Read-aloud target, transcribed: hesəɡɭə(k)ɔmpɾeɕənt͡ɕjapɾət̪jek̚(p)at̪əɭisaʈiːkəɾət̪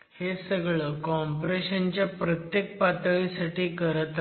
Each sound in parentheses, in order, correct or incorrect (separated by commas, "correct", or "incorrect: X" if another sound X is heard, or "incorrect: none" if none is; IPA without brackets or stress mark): correct, correct